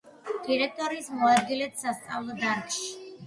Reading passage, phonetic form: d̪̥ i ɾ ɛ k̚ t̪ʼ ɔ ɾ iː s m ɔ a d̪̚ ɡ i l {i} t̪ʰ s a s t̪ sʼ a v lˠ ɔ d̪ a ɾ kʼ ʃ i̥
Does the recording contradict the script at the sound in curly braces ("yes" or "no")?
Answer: yes